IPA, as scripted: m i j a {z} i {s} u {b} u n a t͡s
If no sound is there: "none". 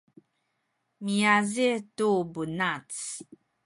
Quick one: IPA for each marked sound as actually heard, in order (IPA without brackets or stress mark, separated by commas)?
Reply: z, t, b